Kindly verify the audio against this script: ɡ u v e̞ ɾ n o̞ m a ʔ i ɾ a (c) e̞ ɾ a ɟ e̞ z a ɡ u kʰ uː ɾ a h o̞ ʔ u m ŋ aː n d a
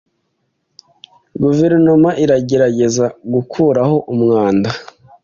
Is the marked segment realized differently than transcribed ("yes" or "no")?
yes